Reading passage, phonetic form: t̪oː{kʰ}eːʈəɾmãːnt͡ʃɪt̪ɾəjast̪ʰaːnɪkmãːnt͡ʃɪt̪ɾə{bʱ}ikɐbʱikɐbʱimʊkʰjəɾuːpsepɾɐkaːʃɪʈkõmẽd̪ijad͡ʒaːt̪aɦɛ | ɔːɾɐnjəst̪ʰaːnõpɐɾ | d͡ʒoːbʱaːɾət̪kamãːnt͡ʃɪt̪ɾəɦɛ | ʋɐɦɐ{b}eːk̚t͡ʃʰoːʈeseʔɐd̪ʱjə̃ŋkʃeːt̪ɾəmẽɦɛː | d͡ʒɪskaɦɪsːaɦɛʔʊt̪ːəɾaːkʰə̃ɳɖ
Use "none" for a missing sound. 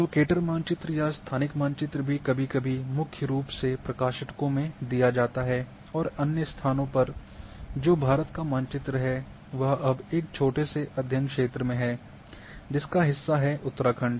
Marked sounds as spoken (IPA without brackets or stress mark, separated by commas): k, bʱ, b